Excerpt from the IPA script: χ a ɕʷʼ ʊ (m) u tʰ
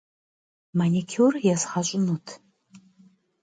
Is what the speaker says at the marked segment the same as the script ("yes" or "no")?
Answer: no